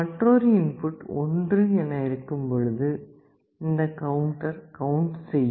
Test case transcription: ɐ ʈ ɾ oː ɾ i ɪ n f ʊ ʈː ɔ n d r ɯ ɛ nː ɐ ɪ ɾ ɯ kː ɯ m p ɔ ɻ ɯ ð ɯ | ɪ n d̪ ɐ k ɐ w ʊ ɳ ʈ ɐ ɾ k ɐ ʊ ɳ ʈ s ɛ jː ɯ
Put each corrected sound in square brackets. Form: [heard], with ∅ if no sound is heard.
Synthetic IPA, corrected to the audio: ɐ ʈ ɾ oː ɾ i ɪ n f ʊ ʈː ɔ n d r ɯ ɛ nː ɐ ɪ ɾ ɯ kː ɯ m p ɔ ɻ ɯ ð ɯ | ɪ n d̪ ɐ k ɐ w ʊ ɳ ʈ ɐ ɾ k ɐ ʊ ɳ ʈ s ɛ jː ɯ